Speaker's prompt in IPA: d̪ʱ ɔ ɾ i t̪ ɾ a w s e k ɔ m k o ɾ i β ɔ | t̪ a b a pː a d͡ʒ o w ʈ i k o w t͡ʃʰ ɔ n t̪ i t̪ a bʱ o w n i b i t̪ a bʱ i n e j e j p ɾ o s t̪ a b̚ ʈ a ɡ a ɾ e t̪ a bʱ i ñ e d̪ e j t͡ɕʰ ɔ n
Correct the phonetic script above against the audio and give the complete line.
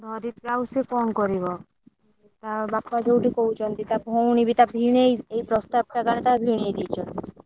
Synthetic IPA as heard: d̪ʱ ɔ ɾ i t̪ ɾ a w s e k ɔ m k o ɾ i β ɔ | t̪ a b a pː a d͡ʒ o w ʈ i k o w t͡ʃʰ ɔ n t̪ i t̪ a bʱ o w n i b i t̪ a bʱ i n e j e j p ɾ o s t̪ a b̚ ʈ a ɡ a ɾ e t̪ a bʱ i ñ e d̪ i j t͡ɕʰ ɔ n